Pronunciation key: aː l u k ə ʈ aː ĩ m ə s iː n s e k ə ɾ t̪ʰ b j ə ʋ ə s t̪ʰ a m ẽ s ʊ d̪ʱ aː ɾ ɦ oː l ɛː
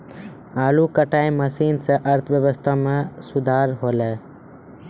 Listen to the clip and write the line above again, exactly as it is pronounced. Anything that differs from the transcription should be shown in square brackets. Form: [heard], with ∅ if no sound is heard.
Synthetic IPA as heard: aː l u k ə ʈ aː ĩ m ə s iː n s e [ʔ] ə ɾ t̪ʰ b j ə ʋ ə s t̪ʰ a m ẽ s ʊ d̪ʱ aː ɾ ɦ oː l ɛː